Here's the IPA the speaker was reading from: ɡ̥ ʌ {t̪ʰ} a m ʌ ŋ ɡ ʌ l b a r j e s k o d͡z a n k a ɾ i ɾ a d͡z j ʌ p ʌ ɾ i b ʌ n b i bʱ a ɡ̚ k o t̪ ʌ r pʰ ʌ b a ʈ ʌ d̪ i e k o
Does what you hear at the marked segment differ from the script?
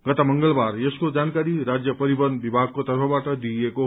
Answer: yes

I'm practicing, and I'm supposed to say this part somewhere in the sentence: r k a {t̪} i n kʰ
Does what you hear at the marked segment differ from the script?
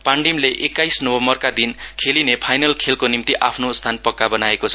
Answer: yes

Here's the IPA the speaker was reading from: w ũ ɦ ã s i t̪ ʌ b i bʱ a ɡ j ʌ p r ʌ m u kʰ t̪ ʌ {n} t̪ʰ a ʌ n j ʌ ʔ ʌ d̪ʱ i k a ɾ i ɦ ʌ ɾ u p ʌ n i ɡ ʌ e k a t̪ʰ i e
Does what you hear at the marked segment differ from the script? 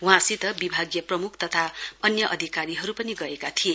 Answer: yes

